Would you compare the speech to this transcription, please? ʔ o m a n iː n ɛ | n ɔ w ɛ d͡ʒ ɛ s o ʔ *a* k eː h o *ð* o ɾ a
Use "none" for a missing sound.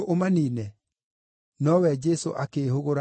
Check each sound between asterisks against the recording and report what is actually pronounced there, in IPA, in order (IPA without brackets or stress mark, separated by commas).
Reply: a, ɣ